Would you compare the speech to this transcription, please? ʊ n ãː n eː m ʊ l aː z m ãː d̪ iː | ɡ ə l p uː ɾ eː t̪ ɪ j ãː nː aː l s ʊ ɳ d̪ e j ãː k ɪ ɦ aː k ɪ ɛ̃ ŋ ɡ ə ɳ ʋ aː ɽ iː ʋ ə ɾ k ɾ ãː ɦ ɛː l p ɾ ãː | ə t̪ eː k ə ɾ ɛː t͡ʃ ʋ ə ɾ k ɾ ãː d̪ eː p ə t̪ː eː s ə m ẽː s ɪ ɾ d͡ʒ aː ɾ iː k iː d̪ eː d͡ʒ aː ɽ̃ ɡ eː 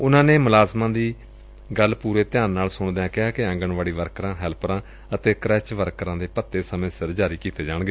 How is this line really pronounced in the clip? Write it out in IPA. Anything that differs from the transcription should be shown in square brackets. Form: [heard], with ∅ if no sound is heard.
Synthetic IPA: ʊ n ãː n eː m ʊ l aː z m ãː d̪ iː | ɡ ə l p uː ɾ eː t̪ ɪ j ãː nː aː l s ʊ ɳ d̪ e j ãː k ɪ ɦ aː k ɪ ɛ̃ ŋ ɡ ə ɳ ʋ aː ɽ iː ʋ ə ɾ k ɾ ãː ɦ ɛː l p ɾ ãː | ə t̪ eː k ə ɾ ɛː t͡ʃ ʋ ə ɾ k ɾ ãː d̪ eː p ə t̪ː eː s ə m ẽː s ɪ ɾ d͡ʒ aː ɾ iː k iː [t̪] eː d͡ʒ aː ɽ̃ ɡ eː

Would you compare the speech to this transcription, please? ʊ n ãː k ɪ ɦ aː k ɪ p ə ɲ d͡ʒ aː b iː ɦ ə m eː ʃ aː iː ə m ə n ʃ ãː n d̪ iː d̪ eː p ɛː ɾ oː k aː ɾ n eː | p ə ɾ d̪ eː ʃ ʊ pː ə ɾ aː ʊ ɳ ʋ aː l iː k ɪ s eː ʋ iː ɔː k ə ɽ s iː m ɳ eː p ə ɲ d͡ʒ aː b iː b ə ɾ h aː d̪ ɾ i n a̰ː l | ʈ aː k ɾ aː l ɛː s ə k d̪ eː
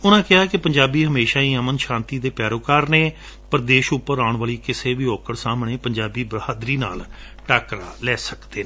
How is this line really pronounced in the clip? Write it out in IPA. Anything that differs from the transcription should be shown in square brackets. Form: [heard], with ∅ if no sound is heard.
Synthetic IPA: ʊ n ãː k ɪ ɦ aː k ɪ p ə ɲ d͡ʒ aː b iː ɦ ə m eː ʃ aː iː ə m ə n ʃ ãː n [t̪] iː d̪ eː p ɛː ɾ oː k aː ɾ n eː | p ə ɾ d̪ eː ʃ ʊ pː ə ɾ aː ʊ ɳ ʋ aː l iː k ɪ s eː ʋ iː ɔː k ə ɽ s [aː] m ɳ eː p ə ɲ d͡ʒ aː b iː b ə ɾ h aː d̪ ɾ [iː] n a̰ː l | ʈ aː k ɾ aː l ɛː s ə k d̪ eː

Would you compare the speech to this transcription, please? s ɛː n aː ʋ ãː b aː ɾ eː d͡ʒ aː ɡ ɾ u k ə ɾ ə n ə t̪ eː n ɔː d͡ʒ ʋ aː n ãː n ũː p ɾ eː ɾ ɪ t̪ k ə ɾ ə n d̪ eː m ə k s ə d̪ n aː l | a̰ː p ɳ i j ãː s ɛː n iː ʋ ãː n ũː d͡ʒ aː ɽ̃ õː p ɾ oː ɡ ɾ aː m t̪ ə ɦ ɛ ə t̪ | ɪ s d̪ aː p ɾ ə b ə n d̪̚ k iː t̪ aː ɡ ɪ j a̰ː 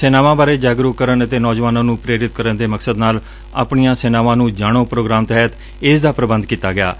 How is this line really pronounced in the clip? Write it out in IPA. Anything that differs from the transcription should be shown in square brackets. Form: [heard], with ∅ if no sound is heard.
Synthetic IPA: s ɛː n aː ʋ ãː b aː ɾ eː d͡ʒ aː ɡ ɾ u k ə ɾ ə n ə t̪ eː n ɔː d͡ʒ ʋ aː n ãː n ũː p ɾ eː ɾ ɪ t̪ k ə ɾ ə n d̪ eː m ə k s ə d̪ n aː l | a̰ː p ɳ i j ãː s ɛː n [aː] ʋ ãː n ũː d͡ʒ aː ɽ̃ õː p ɾ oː ɡ ɾ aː m t̪ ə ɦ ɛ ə t̪ | ɪ s d̪ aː p ɾ ə b ə n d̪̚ k iː t̪ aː ɡ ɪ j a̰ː

